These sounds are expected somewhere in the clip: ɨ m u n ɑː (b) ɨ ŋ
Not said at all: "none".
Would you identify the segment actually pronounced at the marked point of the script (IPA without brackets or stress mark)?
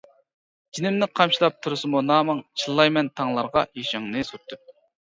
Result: m